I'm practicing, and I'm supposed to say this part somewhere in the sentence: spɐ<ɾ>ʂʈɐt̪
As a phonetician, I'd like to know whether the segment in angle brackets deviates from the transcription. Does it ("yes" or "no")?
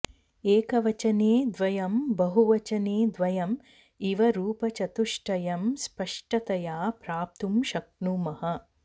yes